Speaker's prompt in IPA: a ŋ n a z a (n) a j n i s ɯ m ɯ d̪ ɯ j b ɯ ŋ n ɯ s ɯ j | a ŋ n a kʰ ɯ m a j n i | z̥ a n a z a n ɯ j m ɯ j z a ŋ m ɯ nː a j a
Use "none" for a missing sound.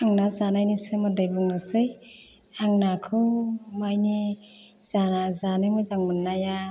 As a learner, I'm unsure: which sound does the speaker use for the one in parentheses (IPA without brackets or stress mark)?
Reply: n